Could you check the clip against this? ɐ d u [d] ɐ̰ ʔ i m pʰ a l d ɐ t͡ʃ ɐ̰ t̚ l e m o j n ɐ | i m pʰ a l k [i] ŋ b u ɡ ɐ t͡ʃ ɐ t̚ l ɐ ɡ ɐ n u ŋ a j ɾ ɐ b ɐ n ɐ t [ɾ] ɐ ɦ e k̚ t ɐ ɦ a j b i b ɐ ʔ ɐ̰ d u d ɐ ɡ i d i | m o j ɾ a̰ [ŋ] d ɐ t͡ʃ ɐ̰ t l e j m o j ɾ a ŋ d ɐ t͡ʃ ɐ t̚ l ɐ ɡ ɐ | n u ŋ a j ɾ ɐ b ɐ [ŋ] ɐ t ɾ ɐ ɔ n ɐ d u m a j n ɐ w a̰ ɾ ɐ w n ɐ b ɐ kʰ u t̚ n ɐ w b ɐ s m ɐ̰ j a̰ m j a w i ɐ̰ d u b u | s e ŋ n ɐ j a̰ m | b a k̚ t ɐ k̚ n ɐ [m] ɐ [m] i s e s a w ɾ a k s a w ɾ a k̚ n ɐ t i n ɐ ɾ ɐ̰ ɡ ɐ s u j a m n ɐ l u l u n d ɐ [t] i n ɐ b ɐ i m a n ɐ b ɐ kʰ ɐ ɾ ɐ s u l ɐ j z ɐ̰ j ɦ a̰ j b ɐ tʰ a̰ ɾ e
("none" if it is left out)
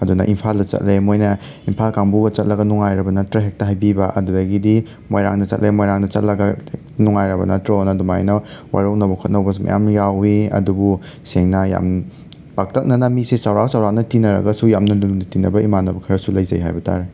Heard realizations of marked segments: n, a, ɾ, ŋ, n, n, m, t

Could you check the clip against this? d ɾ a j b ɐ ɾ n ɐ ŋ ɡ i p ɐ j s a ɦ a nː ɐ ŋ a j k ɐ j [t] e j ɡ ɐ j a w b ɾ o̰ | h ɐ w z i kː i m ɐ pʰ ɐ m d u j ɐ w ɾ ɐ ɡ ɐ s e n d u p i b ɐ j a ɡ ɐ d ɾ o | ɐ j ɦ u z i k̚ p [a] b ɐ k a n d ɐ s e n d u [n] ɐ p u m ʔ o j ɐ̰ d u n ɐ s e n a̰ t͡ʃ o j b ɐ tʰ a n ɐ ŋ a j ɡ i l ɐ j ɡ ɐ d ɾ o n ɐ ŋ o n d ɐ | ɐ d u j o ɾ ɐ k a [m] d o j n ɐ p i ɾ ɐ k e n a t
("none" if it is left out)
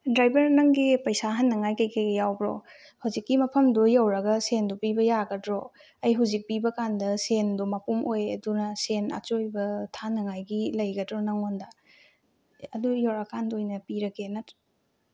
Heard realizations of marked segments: k, i, m, n

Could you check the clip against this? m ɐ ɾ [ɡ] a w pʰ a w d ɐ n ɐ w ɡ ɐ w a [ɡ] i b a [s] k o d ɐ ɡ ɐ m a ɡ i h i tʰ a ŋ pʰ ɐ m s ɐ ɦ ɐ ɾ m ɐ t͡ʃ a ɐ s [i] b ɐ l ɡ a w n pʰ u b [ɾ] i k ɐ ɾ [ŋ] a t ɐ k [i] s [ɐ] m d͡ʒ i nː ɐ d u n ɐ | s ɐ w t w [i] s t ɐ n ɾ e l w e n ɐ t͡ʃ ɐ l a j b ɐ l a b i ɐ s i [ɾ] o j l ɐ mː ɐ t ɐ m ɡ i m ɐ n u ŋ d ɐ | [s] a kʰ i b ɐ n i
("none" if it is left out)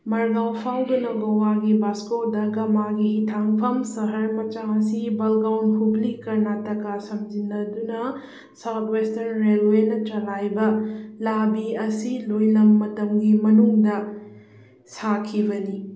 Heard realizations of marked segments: ɡ, ɡ, s, i, l, n, a, ɐ, e, l, s

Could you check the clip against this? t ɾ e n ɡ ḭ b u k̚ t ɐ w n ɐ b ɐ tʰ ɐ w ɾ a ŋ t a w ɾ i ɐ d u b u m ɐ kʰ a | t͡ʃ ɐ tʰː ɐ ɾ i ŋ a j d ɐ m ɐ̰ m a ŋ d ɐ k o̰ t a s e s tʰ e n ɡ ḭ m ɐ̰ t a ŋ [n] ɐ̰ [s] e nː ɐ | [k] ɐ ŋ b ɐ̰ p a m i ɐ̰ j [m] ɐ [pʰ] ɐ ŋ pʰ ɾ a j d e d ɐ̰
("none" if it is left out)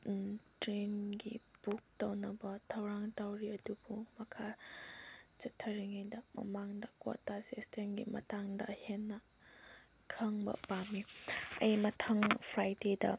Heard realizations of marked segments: d, h, kʰ, m, tʰ

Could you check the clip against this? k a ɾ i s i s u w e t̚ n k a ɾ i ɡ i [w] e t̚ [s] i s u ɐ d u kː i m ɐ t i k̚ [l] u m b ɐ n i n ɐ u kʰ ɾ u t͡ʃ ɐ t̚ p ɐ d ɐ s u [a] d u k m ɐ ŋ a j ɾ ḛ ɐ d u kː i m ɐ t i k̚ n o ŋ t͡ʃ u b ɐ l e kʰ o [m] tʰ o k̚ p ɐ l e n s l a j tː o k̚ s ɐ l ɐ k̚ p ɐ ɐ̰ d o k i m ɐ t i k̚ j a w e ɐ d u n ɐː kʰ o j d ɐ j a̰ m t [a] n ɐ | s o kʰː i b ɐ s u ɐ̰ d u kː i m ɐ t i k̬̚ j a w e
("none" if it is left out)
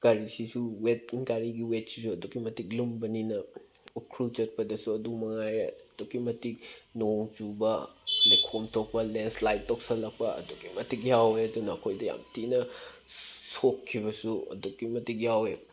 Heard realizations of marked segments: w, s, l, ɐ, m, i

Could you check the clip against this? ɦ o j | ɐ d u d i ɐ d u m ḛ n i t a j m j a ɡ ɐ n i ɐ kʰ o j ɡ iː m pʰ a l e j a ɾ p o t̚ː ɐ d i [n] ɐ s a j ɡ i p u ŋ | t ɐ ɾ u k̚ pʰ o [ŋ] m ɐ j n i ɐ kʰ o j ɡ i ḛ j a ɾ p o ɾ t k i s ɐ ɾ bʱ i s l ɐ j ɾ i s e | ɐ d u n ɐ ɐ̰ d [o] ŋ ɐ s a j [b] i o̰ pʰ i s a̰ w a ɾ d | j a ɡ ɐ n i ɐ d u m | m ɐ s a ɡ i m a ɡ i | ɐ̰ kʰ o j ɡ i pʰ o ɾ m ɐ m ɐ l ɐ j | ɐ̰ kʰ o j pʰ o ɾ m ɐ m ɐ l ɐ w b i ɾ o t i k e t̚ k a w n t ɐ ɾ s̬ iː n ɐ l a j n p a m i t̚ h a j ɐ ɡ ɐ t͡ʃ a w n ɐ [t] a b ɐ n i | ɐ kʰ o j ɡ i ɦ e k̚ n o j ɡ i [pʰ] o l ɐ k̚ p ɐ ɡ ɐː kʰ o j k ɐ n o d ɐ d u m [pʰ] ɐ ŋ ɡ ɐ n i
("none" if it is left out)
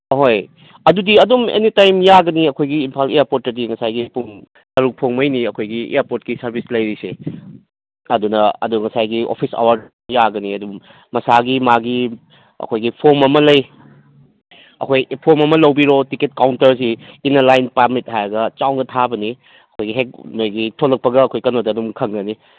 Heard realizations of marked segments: ŋ, ŋ, u, ɡ, tʰ, tʰ, kʰ

